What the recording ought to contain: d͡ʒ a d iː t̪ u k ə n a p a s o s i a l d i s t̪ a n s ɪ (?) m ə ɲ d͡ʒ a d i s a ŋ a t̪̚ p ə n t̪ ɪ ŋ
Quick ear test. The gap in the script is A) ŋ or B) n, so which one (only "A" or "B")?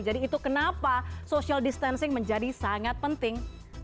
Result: A